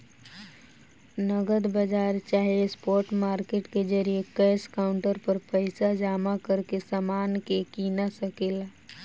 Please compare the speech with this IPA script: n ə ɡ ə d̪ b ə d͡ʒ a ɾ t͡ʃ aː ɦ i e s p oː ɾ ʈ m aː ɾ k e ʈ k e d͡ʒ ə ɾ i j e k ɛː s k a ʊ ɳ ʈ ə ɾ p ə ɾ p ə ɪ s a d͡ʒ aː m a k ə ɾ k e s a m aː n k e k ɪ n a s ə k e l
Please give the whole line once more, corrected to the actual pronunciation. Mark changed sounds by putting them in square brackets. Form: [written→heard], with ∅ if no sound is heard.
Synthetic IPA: n ə ɡ ə d̪ b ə d͡ʒ a ɾ t͡ʃ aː ɦ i e s p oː ɾ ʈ m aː ɾ k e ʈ k e d͡ʒ ə ɾ i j e k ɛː s k a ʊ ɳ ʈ ə ɾ p ə ɾ p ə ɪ s a d͡ʒ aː m a k ə ɾ k e s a m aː n k e k [ɪ→i] n a s ə k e l